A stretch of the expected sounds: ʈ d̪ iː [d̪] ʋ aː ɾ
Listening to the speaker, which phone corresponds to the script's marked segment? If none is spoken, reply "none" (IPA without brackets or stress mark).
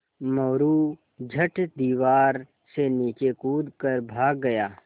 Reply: none